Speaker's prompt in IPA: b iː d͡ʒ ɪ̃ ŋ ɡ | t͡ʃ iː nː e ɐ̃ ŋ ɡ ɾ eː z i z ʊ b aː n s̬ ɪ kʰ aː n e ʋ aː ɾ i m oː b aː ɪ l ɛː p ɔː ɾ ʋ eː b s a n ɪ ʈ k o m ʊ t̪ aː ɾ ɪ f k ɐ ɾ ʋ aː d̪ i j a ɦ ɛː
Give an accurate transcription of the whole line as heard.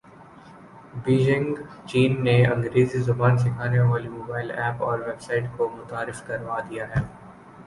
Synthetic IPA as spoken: b iː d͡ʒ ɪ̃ ŋ ɡ | t͡ʃ iː nː e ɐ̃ ŋ ɡ ɾ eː z i z ʊ b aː n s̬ ɪ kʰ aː n e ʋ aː l i m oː b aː ɪ l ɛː p ɔː ɾ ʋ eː b s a ɪ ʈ k o m ʊ t̪ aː ɾ ɪ f k ɐ ɾ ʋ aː d̪ i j a ɦ ɛː